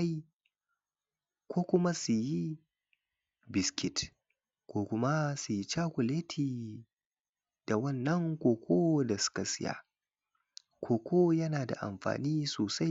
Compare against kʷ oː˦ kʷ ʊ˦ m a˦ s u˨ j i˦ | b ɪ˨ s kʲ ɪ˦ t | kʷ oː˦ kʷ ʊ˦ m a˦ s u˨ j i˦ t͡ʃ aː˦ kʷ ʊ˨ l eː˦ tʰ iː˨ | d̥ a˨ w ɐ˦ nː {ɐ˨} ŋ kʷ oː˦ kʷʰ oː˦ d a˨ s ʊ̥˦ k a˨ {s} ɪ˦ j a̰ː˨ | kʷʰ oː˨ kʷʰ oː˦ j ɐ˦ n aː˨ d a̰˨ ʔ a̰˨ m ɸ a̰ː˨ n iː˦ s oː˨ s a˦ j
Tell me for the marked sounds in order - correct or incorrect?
incorrect: ɐ˦, correct

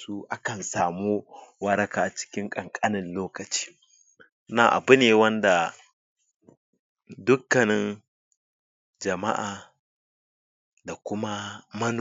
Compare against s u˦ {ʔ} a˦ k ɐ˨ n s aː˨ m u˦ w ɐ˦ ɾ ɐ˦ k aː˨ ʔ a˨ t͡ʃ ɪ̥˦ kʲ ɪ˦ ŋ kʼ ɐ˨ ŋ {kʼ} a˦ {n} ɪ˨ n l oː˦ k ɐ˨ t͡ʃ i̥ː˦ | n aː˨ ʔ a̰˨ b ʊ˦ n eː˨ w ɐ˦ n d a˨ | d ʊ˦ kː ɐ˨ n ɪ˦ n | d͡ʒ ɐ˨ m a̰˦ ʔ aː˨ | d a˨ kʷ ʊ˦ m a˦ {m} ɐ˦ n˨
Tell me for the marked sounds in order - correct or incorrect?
correct, correct, correct, correct

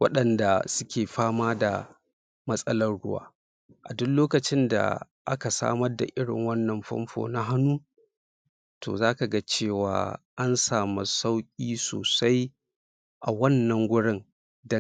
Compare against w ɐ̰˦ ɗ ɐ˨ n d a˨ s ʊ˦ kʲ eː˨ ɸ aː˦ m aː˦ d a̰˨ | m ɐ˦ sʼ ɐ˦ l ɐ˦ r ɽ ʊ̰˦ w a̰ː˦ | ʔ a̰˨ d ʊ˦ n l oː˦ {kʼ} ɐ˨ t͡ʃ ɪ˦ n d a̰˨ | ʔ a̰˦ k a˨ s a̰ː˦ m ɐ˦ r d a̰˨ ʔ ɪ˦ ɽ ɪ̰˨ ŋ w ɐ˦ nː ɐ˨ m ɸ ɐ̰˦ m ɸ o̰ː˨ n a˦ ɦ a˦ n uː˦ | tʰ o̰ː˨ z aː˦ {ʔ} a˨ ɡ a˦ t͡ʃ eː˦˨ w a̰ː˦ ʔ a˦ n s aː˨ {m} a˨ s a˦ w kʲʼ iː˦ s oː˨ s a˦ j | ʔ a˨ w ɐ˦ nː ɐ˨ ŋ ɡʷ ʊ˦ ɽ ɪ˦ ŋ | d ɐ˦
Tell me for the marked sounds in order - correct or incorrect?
incorrect: k, incorrect: k, correct

